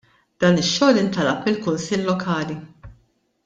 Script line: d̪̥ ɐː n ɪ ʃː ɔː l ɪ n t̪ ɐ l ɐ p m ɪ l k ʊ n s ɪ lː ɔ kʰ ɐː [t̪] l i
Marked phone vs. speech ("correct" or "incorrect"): incorrect